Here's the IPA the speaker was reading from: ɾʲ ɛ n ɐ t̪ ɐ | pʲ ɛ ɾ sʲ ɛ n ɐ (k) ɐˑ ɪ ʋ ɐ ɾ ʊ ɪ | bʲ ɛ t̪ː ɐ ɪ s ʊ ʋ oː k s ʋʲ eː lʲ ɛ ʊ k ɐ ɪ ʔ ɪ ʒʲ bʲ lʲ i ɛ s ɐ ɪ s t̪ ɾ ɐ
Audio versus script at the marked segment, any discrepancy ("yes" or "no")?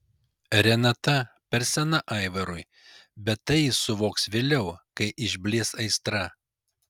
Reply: yes